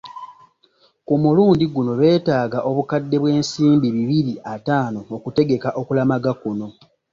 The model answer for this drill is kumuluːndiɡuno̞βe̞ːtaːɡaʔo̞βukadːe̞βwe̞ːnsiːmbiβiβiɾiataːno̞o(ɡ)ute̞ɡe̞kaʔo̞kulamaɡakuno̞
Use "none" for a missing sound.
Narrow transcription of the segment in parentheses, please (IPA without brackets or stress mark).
k